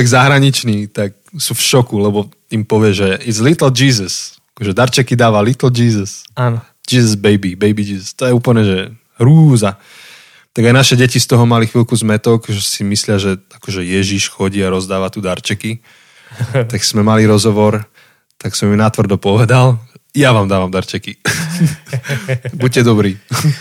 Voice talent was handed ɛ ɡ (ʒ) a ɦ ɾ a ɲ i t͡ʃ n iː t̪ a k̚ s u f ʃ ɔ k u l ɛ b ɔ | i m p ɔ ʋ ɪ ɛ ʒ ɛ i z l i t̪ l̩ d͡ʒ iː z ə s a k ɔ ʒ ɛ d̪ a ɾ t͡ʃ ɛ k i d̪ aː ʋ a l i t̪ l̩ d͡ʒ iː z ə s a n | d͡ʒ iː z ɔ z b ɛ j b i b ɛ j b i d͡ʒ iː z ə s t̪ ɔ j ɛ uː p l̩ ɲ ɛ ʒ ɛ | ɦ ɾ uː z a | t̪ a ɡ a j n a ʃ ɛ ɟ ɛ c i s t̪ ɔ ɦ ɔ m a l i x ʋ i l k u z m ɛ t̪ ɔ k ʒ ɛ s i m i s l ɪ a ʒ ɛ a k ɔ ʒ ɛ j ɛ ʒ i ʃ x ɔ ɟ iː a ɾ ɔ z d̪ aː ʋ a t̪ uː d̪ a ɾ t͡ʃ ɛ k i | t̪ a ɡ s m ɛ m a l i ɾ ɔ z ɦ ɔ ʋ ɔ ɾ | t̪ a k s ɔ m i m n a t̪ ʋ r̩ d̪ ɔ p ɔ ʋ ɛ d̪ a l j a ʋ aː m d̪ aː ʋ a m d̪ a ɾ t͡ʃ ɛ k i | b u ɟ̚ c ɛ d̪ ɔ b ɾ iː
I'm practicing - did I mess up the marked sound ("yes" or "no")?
yes